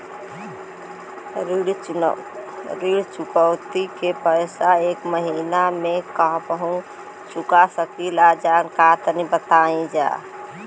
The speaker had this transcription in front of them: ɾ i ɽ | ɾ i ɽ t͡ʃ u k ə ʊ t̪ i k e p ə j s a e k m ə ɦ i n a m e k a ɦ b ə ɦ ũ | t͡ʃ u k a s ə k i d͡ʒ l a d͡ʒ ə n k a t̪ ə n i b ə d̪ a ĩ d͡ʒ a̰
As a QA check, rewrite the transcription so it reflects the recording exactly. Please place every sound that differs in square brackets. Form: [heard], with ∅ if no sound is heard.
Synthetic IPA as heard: ɾ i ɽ | ɾ i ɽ t͡ʃ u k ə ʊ t̪ i k e p ə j s a e k m ə ɦ i n a m e k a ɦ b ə ɦ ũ | t͡ʃ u k a s ə k i [∅] l a d͡ʒ [a] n k a t̪ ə n i b ə [t̪] a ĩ d͡ʒ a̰